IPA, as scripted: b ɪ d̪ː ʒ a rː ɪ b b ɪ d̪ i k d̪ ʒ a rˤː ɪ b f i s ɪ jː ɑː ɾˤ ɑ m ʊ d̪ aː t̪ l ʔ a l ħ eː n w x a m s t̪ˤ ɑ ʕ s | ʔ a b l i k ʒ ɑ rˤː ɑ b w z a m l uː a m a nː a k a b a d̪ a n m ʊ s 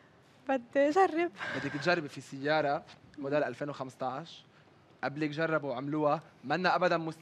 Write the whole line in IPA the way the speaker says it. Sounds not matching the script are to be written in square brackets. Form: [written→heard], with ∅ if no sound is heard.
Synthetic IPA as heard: b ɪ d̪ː ʒ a rː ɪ b b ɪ [d̪→d̪ː] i k [d̪→t̪] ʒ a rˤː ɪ b f i s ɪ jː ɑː ɾˤ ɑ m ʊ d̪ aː [t̪→∅] l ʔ a l [ħ→f] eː n w x a m s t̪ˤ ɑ ʕ [s→ʃ] | ʔ a b l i k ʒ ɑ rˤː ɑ b w [z→ʕ] a m l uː a m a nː a [k→ʔ] a b a d̪ a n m ʊ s